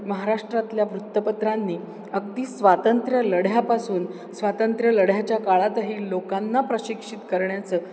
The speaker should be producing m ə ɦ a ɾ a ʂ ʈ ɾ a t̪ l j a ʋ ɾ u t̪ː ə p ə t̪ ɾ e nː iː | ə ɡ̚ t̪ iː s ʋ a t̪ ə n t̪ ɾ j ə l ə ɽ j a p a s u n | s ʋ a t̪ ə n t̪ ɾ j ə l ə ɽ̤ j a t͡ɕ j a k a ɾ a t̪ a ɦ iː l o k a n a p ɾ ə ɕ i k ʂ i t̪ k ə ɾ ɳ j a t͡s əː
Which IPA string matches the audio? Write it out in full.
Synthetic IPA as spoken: m ə ɦ a ɾ a ʂ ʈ ɾ a t̪ l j a ʋ ɾ u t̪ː ə p ə t̪ ɾ a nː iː | ə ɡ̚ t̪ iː s ʋ a t̪ ə n t̪ ɾ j ə l ə ɽ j a p a s uː n | s ʋ a t̪ ə n t̪ ɾ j ə l ə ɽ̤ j a t͡ɕ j a k a ɭ a t̪ a ɦ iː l o k a nː a p ɾ ə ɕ i k ʂ i t̪ k ə ɾ ɳ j a t͡s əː